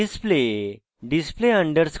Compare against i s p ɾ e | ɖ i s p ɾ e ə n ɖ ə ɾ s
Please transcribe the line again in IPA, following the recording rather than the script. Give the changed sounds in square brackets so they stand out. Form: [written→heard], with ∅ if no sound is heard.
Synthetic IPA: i s p [ɾ→l] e | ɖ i s p [ɾ→l] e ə [n→ɳ] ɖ ə ɾ s